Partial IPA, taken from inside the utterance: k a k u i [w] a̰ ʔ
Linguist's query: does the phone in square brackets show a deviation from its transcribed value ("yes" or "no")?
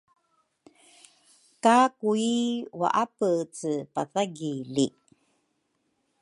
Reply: no